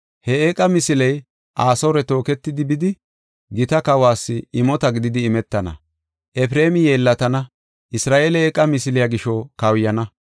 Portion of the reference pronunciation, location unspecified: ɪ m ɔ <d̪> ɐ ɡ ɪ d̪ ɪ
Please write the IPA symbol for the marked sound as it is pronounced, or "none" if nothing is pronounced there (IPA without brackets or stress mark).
t̪